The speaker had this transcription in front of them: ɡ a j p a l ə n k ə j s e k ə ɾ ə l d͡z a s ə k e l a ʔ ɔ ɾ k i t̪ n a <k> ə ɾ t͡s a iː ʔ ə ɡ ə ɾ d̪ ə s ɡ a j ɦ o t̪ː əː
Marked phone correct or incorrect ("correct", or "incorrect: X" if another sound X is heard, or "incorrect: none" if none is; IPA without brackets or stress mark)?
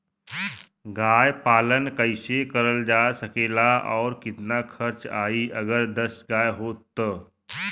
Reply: incorrect: kʰ